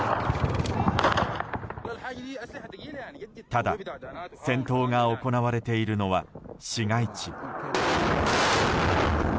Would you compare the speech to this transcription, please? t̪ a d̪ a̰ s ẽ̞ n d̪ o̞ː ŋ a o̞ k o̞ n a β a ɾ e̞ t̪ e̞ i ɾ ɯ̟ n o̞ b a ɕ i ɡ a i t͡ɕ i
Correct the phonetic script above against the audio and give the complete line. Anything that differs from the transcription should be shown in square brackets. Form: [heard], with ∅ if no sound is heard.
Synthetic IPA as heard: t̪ a d̪ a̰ s ẽ̞ n [t̪] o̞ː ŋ a o̞ k o̞ n a β a ɾ e̞ t̪ e̞ i ɾ ɯ̟ n o̞ [β] a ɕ i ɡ a i t͡ɕ i